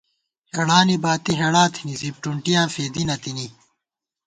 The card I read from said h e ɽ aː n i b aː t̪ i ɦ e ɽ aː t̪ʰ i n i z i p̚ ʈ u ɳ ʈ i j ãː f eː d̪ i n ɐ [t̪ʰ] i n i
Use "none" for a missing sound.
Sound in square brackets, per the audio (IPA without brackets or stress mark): t̪